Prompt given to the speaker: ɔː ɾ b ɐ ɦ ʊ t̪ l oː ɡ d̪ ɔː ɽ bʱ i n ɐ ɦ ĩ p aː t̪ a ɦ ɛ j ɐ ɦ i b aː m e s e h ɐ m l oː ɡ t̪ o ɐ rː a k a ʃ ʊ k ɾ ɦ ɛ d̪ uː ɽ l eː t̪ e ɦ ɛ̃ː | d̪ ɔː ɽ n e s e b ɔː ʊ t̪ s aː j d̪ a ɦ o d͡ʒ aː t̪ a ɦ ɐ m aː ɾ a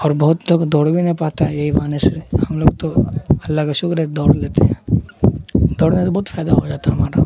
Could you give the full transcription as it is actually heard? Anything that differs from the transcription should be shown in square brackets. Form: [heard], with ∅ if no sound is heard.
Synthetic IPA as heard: ɔː ɾ b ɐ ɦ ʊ t̪ l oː ɡ d̪ ɔː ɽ bʱ i n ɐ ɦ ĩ p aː t̪ a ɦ ɛ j ɐ ɦ i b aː [n] e s e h ɐ m l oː ɡ t̪ o ɐ [lː] a k a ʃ ʊ k ɾ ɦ ɛ d̪ [ɔː] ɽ l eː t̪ e ɦ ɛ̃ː | d̪ ɔː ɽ n e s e b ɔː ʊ t̪ [f] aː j d̪ a ɦ o d͡ʒ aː t̪ a ɦ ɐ m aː ɾ a

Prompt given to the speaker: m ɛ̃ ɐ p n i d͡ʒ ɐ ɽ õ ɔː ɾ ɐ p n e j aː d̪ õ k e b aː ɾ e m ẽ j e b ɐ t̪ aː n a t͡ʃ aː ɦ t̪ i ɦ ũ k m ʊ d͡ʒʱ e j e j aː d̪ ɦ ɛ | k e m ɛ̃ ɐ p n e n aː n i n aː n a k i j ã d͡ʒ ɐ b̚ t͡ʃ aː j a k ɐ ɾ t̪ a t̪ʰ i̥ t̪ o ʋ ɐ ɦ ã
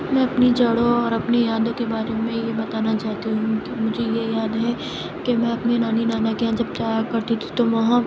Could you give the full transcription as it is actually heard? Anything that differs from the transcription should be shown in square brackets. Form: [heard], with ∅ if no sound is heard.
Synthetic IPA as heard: m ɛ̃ ɐ p n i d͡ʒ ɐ ɽ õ ɔː ɾ ɐ p n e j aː d̪ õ k e b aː ɾ e m ẽ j e b ɐ t̪ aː n a t͡ʃ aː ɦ t̪ i ɦ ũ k m ʊ d͡ʒʱ e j e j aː d̪ ɦ ɛ | k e m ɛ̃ ɐ p n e n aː n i n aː n a k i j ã d͡ʒ ɐ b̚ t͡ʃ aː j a k ɐ ɾ t̪ [i] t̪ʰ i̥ t̪ o ʋ ɐ ɦ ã

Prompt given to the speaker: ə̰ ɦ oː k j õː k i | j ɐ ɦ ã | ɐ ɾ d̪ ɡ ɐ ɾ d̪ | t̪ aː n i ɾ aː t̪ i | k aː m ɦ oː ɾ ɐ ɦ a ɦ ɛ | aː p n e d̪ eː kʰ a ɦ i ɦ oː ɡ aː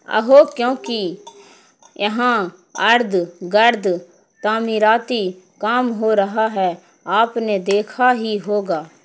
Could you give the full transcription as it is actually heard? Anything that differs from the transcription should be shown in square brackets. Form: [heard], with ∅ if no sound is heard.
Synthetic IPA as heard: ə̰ ɦ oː k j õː k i | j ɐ ɦ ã | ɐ ɾ d̪ ɡ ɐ ɾ d̪ | t̪ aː [m] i ɾ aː t̪ i | k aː m ɦ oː ɾ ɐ ɦ a ɦ ɛ | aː p n e d̪ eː kʰ a ɦ i ɦ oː ɡ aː

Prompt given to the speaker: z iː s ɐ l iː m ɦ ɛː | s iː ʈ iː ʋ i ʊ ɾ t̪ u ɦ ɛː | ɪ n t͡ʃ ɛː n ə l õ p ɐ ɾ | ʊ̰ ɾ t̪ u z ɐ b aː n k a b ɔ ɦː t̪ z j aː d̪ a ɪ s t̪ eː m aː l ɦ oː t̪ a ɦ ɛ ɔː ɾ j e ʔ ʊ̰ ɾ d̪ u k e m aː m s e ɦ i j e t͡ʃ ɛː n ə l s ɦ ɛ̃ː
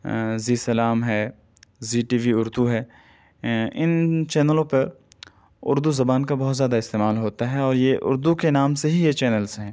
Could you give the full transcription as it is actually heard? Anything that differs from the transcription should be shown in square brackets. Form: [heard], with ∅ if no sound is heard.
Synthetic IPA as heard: z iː s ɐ l [aː] m ɦ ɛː | [z] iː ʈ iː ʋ i ʊ ɾ [d̪] u ɦ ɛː | ɪ n t͡ʃ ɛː n ə l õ p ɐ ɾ | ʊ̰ ɾ [d̪] u z ɐ b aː n k a b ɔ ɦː t̪ z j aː d̪ a ɪ s t̪ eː m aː l ɦ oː t̪ a ɦ ɛ ɔː ɾ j e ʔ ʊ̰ ɾ d̪ u k e [n] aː m s e ɦ i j e t͡ʃ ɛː n ə l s ɦ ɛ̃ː

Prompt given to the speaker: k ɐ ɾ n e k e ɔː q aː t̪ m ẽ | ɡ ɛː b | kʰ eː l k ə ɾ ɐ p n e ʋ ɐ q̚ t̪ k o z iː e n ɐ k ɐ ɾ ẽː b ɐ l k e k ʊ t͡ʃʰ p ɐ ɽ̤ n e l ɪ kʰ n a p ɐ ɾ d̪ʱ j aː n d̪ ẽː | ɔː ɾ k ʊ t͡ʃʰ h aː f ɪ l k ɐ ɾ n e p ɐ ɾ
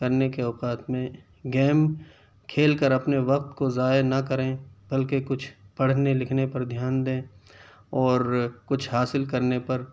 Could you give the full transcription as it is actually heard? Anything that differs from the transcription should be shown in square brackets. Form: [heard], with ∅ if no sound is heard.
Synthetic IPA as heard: k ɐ ɾ n e k e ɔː q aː t̪ m ẽ | ɡ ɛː [m] | kʰ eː l k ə ɾ ɐ p n e ʋ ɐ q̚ t̪ k o z [aː] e n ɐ k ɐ ɾ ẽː b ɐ l k e k ʊ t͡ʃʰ p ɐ ɽ̤ n e l ɪ kʰ n [e] p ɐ ɾ d̪ʱ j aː n d̪ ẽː | ɔː ɾ k ʊ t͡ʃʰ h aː [s] ɪ l k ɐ ɾ n e p ɐ ɾ

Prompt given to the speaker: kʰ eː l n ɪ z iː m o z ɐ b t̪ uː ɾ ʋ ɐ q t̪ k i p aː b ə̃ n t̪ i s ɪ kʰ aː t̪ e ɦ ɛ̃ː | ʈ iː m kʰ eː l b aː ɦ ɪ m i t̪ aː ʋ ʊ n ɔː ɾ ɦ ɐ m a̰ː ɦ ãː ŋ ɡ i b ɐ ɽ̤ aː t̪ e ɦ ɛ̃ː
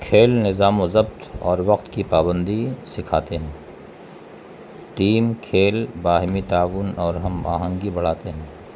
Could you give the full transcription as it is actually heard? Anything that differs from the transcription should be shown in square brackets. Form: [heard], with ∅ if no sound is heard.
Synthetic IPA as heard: kʰ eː l n ɪ z [aː] m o z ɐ b t̪ [ɔː] ɾ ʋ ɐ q t̪ k i p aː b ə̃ n [d̪] i s ɪ kʰ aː t̪ e ɦ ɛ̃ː | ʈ iː m kʰ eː l b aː ɦ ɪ m i t̪ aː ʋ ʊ n ɔː ɾ ɦ ɐ m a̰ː ɦ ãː ŋ ɡ i b ɐ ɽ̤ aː t̪ e ɦ ɛ̃ː

